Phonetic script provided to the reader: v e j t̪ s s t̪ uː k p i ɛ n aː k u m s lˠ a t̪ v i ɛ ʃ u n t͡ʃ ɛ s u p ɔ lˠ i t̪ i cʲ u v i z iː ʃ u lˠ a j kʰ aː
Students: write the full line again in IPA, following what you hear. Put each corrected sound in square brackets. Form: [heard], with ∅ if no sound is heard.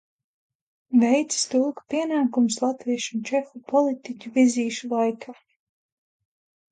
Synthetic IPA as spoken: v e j t̪ s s t̪ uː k p i ɛ n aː k u m s lˠ a t̪ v i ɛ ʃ u n t͡ʃ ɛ [x] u p ɔ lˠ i t̪ i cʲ u v i z iː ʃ u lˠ a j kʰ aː